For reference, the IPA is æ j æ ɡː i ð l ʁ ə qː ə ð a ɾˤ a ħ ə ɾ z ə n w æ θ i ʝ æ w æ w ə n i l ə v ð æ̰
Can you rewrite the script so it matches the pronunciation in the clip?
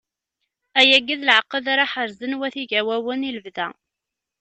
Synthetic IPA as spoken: æ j æ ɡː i ð l ʕ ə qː ə ð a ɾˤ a ħ ə ɾ z ə n w æ θ i ʝ æ w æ w ə n i l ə v ð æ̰